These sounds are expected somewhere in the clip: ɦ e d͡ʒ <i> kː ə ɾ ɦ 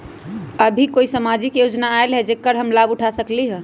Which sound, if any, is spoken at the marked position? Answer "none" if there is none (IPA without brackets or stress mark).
e